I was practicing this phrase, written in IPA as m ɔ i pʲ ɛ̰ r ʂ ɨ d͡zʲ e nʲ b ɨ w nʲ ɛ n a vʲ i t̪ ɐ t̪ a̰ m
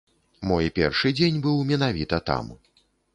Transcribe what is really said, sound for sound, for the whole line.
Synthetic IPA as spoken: m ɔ j pʲ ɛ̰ r ʂ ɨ d͡zʲ e nʲ b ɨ w mʲ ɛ n a vʲ i t̪ ɐ t̪ a̰ m